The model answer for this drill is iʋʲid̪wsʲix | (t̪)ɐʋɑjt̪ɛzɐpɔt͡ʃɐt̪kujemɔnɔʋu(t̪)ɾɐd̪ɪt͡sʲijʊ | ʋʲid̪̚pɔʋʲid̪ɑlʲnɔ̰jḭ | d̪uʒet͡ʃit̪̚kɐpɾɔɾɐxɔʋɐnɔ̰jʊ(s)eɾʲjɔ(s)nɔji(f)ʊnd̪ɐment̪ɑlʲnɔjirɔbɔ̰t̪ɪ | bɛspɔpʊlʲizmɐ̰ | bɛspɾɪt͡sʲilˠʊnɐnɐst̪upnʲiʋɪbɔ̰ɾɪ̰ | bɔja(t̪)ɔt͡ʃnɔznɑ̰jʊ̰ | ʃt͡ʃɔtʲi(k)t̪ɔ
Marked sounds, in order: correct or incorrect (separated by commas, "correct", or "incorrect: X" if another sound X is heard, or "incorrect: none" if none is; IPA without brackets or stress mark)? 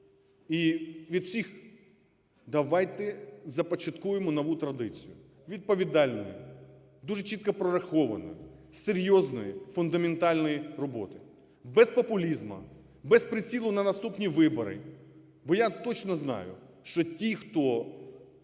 incorrect: d̪, correct, correct, incorrect: z, correct, correct, incorrect: x